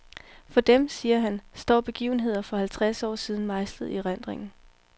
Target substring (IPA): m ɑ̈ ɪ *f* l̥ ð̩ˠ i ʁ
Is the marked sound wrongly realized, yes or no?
yes